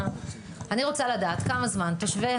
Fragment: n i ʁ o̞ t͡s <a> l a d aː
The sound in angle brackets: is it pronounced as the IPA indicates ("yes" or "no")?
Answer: yes